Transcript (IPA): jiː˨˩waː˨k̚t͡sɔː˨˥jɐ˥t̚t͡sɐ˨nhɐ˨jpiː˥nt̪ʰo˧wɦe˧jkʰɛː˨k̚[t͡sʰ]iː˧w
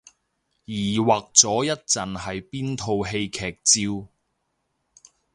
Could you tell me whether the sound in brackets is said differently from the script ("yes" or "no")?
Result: yes